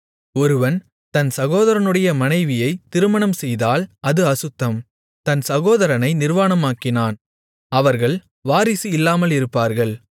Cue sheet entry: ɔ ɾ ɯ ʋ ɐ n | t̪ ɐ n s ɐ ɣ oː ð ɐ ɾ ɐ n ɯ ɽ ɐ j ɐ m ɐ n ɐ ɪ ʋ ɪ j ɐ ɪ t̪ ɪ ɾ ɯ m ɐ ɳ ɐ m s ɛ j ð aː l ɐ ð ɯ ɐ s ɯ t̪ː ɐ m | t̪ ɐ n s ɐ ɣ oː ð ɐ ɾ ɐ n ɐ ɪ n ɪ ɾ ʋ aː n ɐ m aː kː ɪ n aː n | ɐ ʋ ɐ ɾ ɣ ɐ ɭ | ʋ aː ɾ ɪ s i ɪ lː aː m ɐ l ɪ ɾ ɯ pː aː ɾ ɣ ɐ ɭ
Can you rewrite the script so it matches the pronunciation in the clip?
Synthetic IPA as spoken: ɔ ɾ ɯ ʋ ɐ n | t̪ ɐ n s ɐ ɣ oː ð ɐ ɾ ɐ n ɯ ɽ ɐ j ɐ m ɐ n ɐ ɪ ʋ ɪ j ɐ ɪ t̪ ɪ ɾ ɯ m ɐ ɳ ɐ m s ɛ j ð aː l ɐ ð ɯ ɐ s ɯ t̪ː ɐ m | t̪ ɐ n s ɐ ɣ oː ð ɐ ɾ ɐ n ɐ ɪ n ɪ ɾ ʋ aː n ɐ m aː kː ɪ n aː n | ɐ ʋ ɐ ɾ ɣ ɐ ɭ | ʋ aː ɾ ɪ s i ɪ lː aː m ɐ l ɪ ɾ ɯ pː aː ɾ ɣ ɐ ɭ